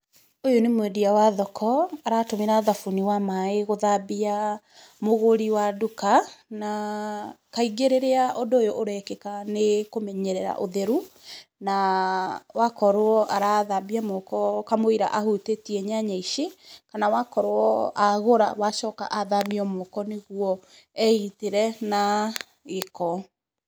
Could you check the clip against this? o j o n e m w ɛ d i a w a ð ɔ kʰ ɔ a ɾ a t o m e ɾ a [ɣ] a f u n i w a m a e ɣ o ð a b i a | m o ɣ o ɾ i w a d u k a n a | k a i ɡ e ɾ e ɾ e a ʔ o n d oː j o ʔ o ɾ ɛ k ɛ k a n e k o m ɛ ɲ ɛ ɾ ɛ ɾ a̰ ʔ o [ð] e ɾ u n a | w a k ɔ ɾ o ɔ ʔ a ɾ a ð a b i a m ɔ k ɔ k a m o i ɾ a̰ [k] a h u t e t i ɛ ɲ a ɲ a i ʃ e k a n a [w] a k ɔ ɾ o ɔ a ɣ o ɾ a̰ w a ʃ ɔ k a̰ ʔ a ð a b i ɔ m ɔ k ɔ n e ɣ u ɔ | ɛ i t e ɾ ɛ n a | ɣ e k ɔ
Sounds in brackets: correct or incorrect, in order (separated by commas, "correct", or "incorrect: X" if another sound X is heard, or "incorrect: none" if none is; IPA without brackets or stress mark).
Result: incorrect: ð, correct, incorrect: ʔ, correct